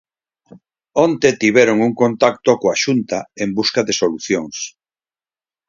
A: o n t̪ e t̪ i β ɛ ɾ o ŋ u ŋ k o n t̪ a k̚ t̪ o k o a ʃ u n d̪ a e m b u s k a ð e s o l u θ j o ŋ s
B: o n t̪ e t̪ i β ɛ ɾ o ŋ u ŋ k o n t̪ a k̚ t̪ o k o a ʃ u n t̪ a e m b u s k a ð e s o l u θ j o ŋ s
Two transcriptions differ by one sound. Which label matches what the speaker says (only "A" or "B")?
B